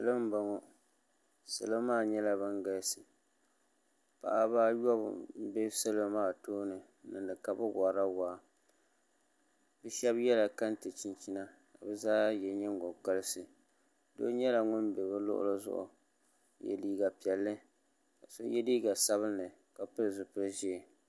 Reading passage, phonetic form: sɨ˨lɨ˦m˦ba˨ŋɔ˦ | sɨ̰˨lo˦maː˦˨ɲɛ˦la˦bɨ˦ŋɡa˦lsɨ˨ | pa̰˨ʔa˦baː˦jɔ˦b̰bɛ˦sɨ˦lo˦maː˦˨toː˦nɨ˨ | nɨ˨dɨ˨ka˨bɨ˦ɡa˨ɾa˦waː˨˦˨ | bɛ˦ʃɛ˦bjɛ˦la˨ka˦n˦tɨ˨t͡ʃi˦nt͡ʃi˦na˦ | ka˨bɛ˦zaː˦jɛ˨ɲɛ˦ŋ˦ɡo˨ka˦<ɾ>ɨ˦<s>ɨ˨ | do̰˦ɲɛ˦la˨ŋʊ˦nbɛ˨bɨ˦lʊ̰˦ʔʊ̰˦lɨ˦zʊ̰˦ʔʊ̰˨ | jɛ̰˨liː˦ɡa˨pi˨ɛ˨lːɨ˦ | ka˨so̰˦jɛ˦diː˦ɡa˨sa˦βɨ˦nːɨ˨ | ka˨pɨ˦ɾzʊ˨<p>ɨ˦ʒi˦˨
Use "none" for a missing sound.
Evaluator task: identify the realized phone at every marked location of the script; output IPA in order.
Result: l, s, p

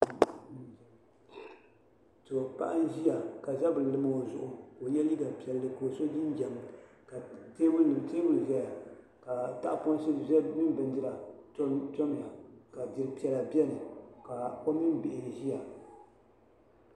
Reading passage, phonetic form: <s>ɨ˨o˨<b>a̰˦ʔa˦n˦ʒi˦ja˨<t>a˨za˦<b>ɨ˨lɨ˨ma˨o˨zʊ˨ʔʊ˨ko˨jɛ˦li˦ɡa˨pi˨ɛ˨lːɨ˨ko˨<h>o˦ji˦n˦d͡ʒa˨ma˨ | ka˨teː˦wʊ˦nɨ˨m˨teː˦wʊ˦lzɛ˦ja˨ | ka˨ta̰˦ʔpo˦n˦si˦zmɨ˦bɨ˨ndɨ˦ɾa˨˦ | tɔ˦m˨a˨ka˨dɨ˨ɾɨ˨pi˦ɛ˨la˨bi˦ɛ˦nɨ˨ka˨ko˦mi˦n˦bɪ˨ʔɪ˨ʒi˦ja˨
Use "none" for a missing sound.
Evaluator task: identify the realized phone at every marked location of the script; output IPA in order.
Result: t, p, k, b, s

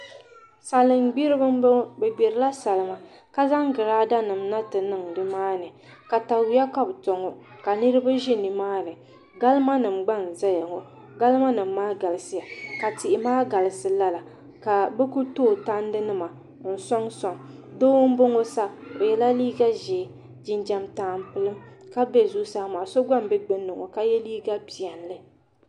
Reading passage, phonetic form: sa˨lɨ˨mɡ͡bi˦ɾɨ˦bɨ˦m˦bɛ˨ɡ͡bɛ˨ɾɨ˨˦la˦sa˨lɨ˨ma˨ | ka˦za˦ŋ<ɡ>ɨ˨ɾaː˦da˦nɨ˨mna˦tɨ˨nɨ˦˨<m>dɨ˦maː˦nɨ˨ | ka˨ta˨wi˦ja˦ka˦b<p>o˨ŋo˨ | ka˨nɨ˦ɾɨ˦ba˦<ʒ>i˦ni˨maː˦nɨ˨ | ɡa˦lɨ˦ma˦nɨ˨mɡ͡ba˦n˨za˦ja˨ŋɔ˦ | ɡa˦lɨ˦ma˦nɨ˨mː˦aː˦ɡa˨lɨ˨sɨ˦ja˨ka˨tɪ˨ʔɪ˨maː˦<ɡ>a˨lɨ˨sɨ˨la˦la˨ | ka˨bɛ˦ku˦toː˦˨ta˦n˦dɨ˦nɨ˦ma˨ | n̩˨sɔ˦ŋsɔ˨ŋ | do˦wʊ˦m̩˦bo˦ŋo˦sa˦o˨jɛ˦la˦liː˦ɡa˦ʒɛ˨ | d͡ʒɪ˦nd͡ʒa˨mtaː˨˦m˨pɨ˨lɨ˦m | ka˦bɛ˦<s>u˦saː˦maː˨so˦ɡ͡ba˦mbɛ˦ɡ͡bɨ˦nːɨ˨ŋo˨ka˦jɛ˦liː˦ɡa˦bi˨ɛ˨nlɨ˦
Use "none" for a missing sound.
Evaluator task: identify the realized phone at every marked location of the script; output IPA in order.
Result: ɡ, ŋ, t, ʒ, ɡ, z

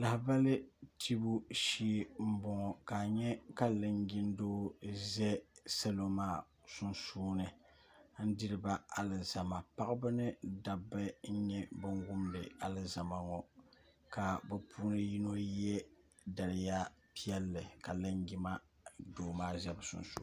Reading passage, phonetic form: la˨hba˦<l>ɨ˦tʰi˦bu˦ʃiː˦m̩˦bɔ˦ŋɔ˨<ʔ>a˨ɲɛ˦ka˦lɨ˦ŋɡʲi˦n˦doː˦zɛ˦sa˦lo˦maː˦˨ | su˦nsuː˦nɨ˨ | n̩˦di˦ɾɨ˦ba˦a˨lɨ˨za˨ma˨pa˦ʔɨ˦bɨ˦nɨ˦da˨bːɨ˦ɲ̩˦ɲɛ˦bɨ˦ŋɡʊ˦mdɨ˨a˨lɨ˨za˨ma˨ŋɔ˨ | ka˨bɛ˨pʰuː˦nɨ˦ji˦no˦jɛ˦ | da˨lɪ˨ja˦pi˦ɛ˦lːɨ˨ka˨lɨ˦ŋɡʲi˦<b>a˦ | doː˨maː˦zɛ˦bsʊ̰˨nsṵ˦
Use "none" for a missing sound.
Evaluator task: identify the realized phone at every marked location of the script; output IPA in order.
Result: l, k, m

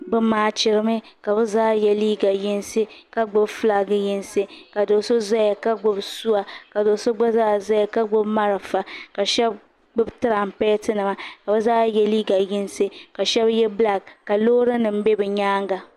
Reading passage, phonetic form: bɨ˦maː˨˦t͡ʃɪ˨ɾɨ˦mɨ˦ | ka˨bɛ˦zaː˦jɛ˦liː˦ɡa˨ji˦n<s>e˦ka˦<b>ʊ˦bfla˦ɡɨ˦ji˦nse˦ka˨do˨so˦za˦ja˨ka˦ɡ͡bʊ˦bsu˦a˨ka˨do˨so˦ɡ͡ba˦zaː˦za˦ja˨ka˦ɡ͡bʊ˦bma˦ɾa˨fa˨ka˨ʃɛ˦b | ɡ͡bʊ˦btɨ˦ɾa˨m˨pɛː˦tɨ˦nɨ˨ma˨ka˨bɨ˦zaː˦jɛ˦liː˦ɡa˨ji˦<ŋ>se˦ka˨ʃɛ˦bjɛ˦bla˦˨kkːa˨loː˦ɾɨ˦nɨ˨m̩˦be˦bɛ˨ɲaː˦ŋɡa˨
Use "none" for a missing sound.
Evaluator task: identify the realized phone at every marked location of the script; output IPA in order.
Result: s, ɡ͡b, n

